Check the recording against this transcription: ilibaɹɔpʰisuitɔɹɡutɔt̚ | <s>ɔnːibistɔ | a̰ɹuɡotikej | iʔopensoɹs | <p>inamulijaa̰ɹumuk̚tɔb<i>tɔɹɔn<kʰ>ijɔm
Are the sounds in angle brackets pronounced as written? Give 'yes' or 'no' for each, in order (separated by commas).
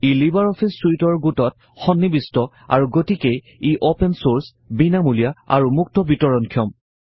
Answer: no, no, yes, yes